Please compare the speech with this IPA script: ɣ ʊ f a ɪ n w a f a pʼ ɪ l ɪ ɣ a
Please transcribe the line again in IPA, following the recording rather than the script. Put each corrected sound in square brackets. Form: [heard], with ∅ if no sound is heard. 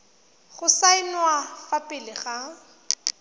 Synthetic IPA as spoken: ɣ ʊ [s] a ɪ n w a f a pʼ ɪ l ɪ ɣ a